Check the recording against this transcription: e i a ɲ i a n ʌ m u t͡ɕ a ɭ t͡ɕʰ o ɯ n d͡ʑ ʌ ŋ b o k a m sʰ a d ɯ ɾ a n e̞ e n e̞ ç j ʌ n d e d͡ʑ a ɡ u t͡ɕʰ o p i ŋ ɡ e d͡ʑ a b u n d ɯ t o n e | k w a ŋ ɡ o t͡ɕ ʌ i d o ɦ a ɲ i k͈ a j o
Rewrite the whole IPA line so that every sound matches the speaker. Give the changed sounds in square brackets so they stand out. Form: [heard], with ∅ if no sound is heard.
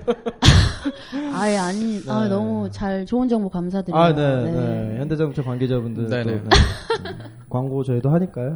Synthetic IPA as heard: [a] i a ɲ i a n ʌ m u t͡ɕ a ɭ [t͡ɕ] o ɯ n d͡ʑ ʌ ŋ b o k a m sʰ a d ɯ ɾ a n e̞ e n e̞ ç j ʌ n d e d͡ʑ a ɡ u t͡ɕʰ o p [a] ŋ ɡ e d͡ʑ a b u n d ɯ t o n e | k w a ŋ ɡ o t͡ɕ ʌ i d o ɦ a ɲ i k͈ a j o